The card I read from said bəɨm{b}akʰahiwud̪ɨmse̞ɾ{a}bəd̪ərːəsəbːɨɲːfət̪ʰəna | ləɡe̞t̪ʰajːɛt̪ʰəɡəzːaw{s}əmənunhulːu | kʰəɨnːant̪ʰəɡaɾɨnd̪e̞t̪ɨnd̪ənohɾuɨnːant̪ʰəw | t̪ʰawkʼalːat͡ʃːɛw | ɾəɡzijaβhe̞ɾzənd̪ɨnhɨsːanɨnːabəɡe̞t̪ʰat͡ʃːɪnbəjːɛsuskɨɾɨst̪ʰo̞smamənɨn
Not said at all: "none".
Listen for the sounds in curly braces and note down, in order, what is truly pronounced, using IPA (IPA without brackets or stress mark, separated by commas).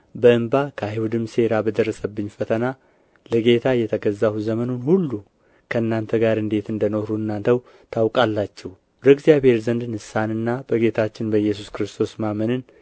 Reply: b, a, z